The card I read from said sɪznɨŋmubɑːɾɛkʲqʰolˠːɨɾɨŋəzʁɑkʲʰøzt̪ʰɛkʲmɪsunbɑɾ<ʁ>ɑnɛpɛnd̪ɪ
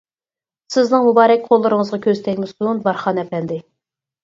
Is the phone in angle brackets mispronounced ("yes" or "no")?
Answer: yes